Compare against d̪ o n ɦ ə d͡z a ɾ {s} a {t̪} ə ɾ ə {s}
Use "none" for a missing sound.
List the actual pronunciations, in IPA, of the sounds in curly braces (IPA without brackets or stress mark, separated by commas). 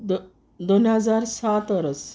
s, t̪, s